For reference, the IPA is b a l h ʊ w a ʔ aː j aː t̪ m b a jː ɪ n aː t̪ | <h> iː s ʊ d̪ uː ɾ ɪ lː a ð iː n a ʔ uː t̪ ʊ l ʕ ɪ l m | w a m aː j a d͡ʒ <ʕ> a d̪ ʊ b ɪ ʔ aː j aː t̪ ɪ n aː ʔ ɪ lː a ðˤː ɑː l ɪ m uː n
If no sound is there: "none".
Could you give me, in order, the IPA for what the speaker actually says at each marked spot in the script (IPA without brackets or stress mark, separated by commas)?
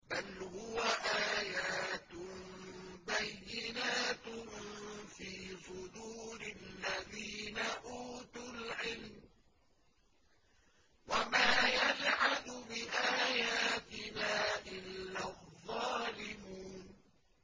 f, ʕ